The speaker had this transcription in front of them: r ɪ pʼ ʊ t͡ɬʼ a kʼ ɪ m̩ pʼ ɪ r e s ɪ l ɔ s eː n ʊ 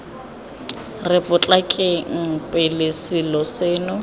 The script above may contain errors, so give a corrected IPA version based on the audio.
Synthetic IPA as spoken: r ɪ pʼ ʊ t͡ɬʼ a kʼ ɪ ŋ̩ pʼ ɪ l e s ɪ l ɔ s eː n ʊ